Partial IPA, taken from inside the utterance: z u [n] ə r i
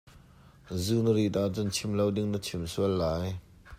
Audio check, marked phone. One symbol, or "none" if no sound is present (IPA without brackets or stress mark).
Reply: n